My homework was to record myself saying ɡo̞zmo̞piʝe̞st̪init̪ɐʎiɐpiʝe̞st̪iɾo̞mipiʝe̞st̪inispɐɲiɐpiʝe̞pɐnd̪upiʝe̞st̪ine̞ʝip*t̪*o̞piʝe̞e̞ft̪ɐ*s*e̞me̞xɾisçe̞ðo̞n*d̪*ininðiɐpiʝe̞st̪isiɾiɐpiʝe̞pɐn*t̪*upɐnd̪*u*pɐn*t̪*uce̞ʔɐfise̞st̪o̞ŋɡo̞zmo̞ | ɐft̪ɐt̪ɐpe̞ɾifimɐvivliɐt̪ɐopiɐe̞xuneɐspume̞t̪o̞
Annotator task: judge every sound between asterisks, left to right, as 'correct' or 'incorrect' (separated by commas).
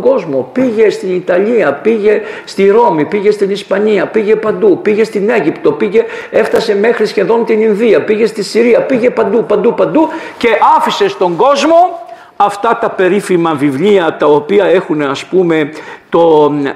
correct, correct, incorrect, incorrect, correct, incorrect